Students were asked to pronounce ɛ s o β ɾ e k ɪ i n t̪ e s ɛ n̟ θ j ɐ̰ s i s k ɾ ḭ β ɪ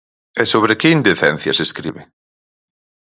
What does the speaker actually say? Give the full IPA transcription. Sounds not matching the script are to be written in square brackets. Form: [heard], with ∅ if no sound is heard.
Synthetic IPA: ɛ s o β ɾ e k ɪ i n [d̪] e [θ] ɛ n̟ θ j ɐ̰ s [e] s k ɾ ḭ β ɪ

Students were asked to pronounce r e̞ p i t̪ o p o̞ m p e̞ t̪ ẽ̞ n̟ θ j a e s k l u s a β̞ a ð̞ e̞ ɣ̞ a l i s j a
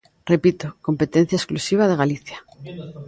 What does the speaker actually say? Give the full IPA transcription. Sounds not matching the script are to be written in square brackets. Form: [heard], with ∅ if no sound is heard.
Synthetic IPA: r e̞ p i t̪ o [k] o̞ m p e̞ t̪ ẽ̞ n̟ θ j a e s k l u s [i] β̞ a ð̞ e̞ ɣ̞ a l i [θ] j a

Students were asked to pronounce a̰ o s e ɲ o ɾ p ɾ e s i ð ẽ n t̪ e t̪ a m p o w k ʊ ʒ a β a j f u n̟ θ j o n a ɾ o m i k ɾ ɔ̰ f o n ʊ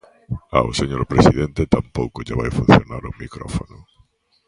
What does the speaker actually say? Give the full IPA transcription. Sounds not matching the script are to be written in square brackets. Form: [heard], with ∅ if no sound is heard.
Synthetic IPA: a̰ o s e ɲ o ɾ p ɾ e s i ð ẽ n t̪ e t̪ a m p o w k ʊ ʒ a β a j f u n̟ θ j o n a ɾ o m i k ɾ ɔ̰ f o n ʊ

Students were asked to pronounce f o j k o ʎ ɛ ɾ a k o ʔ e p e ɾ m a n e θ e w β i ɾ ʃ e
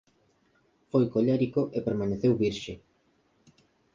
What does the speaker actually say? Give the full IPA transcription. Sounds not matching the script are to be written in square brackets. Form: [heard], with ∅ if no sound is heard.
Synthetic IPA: f o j k o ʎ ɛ ɾ [i] k o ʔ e p e ɾ m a n e θ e w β i ɾ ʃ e

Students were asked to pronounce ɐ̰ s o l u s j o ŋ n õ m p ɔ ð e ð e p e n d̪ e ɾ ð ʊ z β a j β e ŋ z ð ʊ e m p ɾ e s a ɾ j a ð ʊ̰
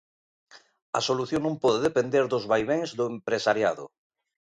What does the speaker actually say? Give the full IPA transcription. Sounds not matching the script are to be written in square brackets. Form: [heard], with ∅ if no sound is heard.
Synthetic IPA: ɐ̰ s o l u [θ] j o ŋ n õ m p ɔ ð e ð e p e n d̪ e ɾ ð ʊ z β a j β e ŋ z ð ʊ e m p ɾ e s a ɾ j a ð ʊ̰

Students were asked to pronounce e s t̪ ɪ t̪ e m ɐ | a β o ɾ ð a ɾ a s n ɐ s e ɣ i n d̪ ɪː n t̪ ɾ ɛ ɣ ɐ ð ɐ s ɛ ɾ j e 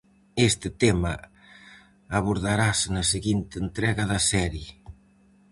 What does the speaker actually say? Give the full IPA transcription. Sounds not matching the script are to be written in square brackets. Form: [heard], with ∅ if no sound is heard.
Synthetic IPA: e s t̪ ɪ t̪ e m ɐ | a β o ɾ ð a ɾ a s n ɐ s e ɣ i n [t̪] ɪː n t̪ ɾ ɛ ɣ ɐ ð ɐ s ɛ ɾ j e

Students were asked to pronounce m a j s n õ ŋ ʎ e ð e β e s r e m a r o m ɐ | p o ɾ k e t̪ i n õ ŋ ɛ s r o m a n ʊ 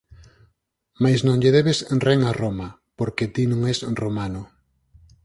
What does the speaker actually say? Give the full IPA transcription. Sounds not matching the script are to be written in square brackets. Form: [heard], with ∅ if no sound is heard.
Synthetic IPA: m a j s n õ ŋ ʎ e ð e β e s r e [ŋ] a r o m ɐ | p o ɾ k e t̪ i n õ ŋ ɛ s r o m a n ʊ

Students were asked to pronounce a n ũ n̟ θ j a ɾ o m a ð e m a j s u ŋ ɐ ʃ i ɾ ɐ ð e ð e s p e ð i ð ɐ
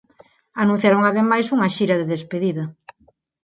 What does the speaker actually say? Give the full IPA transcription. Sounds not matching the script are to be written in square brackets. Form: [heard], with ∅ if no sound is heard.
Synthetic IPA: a n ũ n̟ θ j a ɾ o [ŋ] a ð e m a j s u ŋ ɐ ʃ i ɾ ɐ ð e ð e s p e ð i ð ɐ

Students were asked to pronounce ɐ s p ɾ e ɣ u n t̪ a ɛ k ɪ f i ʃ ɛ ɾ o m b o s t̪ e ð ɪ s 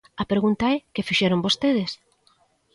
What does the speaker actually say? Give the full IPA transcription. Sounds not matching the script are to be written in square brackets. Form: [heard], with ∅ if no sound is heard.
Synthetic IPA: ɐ [∅] p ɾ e ɣ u n t̪ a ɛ k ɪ f i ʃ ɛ ɾ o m b o s t̪ e ð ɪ s

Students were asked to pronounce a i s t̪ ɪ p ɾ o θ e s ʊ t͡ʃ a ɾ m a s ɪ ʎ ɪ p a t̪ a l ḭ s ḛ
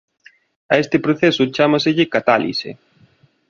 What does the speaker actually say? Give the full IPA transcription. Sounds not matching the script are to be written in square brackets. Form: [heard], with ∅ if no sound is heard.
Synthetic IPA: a [e] s t̪ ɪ p ɾ o θ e s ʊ t͡ʃ a [∅] m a s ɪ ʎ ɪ [k] a t̪ a l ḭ s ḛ

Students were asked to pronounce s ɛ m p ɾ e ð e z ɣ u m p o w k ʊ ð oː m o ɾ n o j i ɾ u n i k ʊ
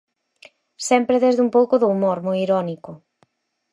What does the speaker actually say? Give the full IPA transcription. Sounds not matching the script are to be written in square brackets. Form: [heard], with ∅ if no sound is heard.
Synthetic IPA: s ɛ m p ɾ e ð e z [ð] u m p o w k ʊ ð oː m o ɾ [m] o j i ɾ [ɔ] n i k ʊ

